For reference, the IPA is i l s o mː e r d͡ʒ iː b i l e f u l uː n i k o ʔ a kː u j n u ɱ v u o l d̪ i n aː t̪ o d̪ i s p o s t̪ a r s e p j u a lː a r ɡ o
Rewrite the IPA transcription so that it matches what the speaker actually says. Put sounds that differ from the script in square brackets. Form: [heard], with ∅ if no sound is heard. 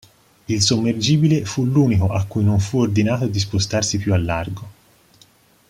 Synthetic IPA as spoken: i l s o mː e r d͡ʒ iː b i l e f u l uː n i k o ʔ a kː u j n [o] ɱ [f] u o [r] d̪ i n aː t̪ o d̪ i s p o s t̪ a r s [i] p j u a lː a r ɡ o